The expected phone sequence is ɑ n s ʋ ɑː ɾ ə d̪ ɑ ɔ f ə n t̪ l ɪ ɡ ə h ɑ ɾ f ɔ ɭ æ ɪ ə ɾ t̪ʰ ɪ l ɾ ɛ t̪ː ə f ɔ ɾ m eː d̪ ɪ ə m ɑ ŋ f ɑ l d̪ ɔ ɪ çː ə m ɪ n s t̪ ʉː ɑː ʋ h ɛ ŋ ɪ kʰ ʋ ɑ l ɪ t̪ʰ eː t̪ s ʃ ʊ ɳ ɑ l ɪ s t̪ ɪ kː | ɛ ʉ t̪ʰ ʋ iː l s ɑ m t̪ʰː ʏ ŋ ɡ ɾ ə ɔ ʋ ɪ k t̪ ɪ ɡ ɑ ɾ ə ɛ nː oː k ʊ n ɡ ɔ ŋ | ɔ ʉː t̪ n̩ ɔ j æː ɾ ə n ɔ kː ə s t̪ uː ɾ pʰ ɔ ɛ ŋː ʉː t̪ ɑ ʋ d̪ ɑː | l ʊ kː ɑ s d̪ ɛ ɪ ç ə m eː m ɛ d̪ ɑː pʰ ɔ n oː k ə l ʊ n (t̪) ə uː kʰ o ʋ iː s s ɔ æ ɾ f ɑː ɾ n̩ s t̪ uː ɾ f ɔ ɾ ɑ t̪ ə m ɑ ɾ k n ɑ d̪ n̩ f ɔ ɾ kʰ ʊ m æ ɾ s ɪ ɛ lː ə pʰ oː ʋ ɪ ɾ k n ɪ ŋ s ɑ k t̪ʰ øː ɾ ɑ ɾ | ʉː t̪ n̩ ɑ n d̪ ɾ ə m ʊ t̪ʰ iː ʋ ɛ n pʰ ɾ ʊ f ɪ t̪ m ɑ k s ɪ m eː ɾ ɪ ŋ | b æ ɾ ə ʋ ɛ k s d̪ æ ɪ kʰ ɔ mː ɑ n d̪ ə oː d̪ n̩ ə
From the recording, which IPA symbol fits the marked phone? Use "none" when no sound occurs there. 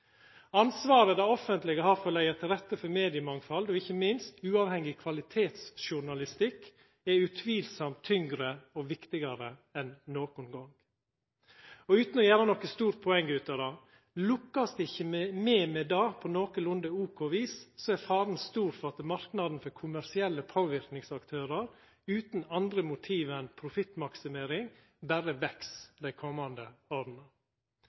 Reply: d̪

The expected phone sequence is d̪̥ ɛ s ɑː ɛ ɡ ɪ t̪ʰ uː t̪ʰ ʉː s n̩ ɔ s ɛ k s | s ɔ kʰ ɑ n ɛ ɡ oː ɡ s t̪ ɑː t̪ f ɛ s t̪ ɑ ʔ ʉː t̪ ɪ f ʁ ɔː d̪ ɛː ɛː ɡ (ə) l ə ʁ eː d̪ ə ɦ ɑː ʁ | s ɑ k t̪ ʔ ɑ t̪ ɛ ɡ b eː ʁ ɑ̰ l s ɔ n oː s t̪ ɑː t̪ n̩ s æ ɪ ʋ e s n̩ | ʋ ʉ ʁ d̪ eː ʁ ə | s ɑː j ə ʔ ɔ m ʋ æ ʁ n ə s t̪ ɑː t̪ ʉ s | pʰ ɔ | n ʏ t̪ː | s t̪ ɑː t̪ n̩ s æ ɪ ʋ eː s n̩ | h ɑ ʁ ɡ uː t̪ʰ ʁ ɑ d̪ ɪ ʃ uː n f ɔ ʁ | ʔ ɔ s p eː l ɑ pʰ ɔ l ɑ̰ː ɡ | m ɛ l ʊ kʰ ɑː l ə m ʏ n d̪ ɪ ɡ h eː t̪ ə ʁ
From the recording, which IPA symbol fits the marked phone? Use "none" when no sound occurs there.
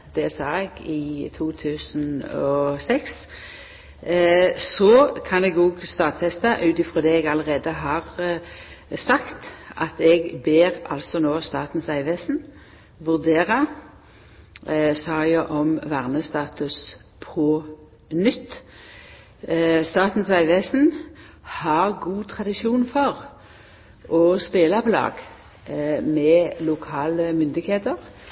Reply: ɑ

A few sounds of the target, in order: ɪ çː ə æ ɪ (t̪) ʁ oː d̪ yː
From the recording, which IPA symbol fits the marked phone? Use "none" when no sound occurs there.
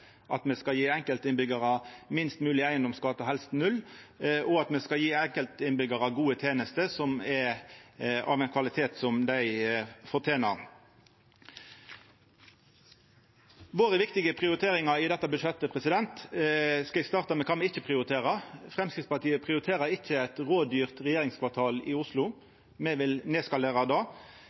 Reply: t̪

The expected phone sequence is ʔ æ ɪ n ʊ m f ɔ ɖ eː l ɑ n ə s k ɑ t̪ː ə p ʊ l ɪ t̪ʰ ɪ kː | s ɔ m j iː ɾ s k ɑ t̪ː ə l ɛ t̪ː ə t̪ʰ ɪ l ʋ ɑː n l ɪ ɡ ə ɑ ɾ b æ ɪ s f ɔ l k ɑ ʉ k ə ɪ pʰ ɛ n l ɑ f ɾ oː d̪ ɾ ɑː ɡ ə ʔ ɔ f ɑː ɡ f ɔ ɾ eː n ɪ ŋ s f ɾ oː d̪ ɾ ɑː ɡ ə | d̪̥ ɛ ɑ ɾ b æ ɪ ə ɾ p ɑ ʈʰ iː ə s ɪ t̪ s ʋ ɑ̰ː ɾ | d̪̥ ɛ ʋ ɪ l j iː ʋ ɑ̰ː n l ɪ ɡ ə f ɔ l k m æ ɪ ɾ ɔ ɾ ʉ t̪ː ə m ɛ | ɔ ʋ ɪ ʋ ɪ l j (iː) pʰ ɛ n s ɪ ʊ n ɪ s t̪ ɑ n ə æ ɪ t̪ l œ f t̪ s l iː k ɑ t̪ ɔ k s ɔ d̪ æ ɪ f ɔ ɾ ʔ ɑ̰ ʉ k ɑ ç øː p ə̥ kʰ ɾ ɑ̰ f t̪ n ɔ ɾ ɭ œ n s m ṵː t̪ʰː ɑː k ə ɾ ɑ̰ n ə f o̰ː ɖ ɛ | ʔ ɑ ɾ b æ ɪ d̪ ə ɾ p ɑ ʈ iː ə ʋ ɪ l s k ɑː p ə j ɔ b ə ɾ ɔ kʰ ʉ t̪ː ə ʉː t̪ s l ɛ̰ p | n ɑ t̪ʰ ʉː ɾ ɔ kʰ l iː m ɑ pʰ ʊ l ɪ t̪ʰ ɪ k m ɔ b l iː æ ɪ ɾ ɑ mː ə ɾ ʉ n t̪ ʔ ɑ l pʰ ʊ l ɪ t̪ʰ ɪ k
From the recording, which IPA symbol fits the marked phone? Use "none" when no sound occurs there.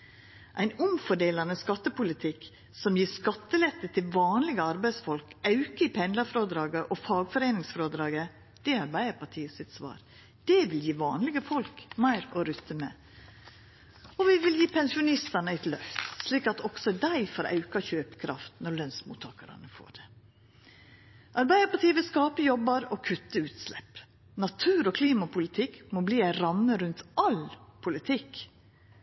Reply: iː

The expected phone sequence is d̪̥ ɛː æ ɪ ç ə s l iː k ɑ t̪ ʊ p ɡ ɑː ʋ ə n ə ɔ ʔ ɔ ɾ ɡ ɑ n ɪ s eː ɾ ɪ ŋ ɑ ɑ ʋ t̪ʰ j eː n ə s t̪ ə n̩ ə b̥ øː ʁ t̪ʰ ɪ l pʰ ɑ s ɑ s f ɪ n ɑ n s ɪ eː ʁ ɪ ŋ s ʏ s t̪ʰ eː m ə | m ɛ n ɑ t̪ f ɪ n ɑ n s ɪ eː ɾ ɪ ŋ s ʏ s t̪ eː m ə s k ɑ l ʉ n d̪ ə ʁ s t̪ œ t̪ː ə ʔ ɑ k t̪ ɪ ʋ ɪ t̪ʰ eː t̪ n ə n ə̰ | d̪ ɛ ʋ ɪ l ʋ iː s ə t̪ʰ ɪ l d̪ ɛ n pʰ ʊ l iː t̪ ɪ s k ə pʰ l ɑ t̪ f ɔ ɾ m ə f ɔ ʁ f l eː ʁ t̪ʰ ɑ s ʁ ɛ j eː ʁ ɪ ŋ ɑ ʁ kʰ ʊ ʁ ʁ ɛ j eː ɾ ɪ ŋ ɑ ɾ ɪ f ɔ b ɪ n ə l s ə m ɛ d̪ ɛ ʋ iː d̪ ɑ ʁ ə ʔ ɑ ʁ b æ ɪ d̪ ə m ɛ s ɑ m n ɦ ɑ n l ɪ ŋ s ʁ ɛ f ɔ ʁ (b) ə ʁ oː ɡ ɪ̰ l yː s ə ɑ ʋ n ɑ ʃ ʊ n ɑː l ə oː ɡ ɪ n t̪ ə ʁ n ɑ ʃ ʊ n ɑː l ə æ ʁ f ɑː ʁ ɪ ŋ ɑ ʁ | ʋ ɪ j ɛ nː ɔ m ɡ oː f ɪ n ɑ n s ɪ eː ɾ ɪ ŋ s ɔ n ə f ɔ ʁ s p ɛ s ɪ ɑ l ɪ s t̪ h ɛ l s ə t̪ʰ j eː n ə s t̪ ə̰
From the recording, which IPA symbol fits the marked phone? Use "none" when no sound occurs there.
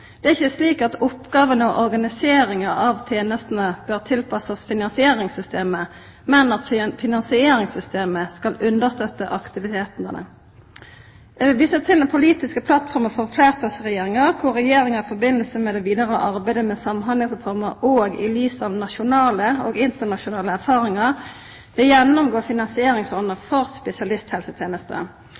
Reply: m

